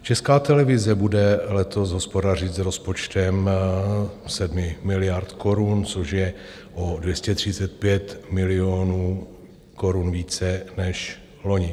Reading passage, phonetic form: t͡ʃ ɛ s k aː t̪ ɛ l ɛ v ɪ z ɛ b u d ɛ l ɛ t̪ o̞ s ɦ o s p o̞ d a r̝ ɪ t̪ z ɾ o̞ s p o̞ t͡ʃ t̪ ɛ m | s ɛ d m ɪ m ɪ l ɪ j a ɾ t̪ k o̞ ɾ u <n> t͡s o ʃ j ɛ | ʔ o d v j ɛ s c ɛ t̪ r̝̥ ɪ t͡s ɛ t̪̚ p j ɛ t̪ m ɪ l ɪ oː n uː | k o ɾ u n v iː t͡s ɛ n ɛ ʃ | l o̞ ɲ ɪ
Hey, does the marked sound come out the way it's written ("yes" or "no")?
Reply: yes